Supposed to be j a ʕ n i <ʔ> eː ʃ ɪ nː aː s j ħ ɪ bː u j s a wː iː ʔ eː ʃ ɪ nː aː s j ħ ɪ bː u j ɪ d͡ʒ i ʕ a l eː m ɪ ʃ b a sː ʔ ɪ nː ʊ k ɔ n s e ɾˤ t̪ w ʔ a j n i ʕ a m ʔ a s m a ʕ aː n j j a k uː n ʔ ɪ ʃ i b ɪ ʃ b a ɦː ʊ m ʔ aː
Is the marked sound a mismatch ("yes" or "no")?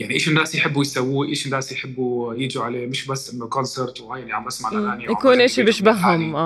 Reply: no